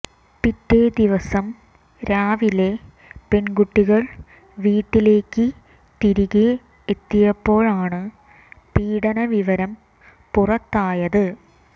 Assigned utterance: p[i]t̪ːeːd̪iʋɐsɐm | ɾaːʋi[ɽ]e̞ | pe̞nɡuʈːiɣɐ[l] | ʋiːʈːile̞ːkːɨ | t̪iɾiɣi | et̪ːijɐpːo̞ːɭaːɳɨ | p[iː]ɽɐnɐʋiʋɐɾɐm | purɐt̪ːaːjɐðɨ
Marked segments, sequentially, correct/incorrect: correct, incorrect: l, incorrect: ɭ, correct

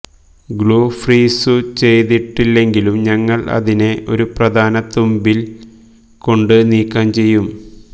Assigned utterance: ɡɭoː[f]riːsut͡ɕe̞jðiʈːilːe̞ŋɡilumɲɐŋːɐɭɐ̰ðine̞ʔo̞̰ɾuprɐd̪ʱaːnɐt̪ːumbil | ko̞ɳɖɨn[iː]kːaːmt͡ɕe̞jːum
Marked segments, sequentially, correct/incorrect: correct, correct

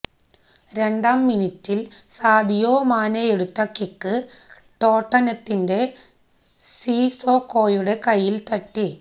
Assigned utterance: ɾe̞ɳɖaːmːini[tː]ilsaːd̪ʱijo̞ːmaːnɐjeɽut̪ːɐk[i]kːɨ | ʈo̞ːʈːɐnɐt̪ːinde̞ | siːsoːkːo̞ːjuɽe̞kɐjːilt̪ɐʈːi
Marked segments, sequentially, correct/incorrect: correct, correct

